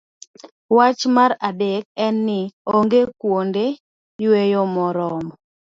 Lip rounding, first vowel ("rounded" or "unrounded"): unrounded